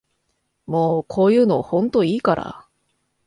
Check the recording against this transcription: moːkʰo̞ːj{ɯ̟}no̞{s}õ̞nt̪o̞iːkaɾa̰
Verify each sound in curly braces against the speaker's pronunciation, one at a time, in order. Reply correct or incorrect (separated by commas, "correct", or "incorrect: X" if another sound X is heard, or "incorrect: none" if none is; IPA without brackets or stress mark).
incorrect: ɯ̟ː, incorrect: h